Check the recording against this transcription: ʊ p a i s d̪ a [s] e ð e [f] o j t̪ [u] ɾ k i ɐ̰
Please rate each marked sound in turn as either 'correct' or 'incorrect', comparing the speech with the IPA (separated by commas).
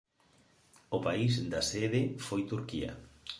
correct, correct, correct